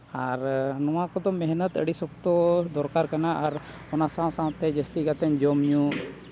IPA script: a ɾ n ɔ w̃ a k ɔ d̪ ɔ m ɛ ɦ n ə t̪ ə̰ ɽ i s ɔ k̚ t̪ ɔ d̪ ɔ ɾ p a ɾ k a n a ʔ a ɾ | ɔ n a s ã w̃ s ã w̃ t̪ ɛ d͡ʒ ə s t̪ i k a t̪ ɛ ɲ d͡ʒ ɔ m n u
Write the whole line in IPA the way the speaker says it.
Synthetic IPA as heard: a ɾ n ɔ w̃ a k ɔ d̪ ɔ m ɛ ɦ n ə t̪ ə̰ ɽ i s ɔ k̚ t̪ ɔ d̪ ɔ ɾ k a ɾ k a n a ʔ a ɾ | ɔ n a s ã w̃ s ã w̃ t̪ ɛ d͡ʒ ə s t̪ i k a t̪ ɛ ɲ d͡ʒ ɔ m ɲ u